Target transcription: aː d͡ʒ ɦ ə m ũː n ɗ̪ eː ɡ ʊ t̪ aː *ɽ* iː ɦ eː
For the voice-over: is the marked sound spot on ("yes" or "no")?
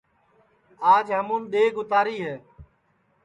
no